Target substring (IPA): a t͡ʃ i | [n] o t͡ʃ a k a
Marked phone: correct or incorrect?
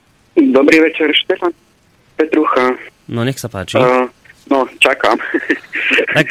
correct